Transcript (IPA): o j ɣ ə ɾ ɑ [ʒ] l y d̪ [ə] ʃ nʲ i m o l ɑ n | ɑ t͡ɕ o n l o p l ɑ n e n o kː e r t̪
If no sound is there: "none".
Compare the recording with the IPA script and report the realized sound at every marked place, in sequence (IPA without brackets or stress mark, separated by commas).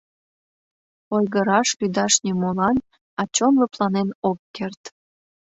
ʃ, ɑ